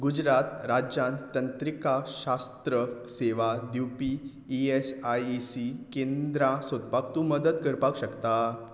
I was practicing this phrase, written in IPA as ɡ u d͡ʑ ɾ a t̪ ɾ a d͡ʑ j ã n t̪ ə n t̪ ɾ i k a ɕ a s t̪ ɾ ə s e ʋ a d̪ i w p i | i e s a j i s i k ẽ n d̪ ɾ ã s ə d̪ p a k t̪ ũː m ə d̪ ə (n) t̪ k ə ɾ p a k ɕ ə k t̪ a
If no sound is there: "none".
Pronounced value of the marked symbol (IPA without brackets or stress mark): none